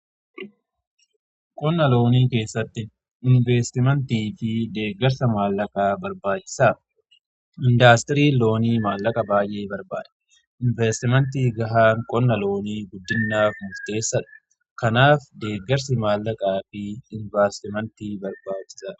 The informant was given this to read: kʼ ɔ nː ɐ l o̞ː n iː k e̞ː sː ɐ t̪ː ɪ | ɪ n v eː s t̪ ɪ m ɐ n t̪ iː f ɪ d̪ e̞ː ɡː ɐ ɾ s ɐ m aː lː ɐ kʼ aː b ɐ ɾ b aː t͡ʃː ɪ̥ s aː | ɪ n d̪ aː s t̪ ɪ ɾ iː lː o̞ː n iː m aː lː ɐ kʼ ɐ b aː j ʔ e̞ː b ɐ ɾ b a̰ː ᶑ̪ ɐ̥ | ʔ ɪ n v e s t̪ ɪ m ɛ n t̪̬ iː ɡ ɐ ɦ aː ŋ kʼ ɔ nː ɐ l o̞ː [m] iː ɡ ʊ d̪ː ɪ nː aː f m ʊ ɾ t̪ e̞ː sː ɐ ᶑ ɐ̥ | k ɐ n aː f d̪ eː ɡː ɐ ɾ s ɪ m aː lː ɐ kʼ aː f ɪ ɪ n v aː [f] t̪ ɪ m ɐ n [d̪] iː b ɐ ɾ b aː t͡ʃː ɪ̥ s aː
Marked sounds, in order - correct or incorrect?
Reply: incorrect: n, incorrect: s, incorrect: t̪

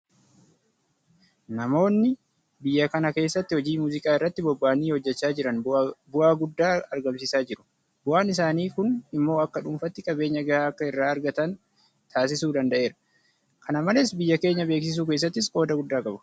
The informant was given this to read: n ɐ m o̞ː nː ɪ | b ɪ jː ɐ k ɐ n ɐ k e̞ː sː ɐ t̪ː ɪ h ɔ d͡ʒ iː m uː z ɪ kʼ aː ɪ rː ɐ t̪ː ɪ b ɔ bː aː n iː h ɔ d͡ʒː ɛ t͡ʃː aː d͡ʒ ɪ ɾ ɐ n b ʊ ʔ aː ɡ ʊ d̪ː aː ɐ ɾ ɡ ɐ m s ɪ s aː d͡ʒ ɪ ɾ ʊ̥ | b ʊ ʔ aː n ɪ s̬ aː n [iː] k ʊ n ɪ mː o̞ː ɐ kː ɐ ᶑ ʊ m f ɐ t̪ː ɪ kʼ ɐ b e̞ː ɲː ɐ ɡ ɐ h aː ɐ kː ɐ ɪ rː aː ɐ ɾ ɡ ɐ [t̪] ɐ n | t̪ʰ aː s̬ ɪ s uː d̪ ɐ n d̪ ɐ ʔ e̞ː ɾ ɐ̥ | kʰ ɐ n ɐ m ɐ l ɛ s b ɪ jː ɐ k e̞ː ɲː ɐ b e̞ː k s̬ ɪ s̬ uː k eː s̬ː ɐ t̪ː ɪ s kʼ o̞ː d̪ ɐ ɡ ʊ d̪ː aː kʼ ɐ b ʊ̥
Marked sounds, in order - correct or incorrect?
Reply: correct, correct

